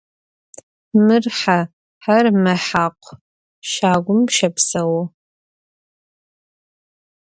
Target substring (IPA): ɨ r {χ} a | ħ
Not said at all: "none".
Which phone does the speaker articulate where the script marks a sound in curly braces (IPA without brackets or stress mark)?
ħ